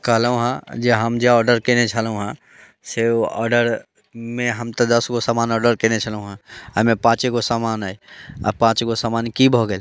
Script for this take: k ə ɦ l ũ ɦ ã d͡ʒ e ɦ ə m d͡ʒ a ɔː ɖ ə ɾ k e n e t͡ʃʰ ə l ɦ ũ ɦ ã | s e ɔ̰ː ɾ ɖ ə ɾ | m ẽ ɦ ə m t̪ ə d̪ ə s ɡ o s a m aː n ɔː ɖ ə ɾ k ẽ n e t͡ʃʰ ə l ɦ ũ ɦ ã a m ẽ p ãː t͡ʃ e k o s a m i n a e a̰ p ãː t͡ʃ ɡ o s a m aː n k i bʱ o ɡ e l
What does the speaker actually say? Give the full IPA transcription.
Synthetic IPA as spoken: k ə ɦ l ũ ɦ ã d͡ʒ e ɦ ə m d͡ʒ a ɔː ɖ ə ɾ k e n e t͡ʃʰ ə l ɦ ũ ɦ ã | s e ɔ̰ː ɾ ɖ ə ɾ | m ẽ ɦ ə m t̪ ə d̪ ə s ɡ o s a m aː n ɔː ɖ ə ɾ k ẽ n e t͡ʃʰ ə l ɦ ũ ɦ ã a m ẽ p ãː t͡ʃ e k o s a m a n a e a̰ p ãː t͡ʃ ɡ o s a m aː n k i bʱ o ɡ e l